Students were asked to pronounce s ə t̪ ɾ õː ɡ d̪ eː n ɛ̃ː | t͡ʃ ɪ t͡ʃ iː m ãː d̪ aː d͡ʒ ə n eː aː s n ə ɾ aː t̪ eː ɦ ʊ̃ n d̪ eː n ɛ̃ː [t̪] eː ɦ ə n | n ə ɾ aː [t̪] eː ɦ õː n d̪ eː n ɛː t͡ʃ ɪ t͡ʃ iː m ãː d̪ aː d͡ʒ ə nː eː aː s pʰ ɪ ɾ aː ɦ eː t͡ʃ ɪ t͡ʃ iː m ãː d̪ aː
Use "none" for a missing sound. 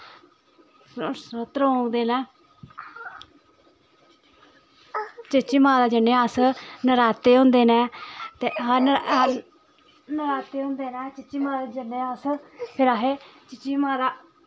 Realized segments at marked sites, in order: t̪, t̪

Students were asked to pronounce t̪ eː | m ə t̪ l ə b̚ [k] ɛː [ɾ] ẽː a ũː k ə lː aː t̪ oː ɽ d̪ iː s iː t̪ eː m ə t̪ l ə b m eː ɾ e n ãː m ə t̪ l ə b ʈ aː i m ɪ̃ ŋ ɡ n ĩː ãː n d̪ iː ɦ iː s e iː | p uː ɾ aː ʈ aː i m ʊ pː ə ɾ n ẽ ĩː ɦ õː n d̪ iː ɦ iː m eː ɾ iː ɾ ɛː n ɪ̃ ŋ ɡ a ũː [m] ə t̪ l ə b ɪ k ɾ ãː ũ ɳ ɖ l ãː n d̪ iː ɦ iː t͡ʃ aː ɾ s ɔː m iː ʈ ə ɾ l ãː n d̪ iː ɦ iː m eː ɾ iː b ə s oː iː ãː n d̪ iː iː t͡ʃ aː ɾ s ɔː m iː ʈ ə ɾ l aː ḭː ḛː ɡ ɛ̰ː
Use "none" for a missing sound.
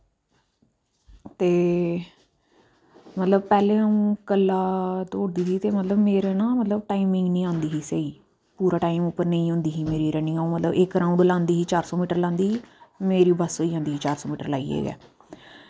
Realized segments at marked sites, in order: p, l, m

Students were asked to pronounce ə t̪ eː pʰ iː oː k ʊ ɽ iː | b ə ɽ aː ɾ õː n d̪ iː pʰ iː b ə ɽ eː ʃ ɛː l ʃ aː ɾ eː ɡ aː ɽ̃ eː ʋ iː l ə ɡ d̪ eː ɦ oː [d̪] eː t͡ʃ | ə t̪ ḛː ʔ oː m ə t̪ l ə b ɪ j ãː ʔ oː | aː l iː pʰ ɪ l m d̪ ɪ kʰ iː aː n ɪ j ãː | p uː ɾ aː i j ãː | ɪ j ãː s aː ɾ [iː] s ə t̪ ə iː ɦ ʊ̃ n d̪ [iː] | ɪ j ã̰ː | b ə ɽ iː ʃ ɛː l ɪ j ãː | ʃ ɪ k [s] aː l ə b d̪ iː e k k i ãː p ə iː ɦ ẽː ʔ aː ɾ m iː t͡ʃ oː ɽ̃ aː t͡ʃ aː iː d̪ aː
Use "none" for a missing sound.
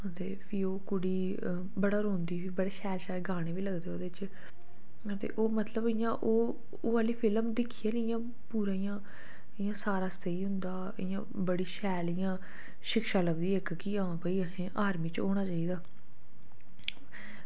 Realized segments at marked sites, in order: d̪, aː, aː, ʃ

